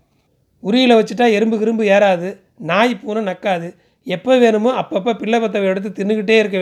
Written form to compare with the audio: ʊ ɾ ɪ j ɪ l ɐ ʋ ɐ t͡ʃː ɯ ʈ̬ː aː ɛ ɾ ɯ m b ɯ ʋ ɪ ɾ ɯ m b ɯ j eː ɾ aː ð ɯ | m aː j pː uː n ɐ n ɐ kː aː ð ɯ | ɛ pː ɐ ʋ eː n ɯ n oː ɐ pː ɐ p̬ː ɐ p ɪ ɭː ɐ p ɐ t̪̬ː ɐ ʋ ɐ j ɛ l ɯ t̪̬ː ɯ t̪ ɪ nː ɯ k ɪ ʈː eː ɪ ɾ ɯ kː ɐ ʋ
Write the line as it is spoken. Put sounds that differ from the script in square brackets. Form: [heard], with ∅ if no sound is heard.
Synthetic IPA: ʊ ɾ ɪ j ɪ l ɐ ʋ ɐ t͡ʃː ɯ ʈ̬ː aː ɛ ɾ ɯ m b ɯ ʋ ɪ ɾ ɯ m b ɯ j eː ɾ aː ð ɯ | [n] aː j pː uː n ɐ n ɐ kː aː ð ɯ | ɛ pː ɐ ʋ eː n ɯ [m] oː ɐ pː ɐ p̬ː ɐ p ɪ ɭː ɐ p ɐ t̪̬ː ɐ ʋ ɐ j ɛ [ɽ] ɯ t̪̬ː ɯ t̪ ɪ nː ɯ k ɪ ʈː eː ɪ ɾ ɯ kː ɐ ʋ